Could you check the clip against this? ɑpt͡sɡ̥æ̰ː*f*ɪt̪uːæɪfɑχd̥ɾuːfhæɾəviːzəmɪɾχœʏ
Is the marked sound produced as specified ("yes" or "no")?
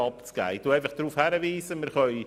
no